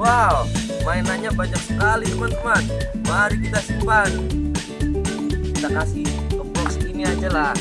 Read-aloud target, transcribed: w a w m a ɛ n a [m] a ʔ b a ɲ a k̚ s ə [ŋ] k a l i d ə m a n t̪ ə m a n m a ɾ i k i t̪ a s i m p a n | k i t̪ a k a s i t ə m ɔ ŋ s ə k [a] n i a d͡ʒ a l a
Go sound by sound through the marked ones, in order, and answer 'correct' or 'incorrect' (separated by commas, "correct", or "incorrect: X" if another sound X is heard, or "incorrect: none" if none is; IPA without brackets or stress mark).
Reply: incorrect: ɲ, incorrect: none, incorrect: i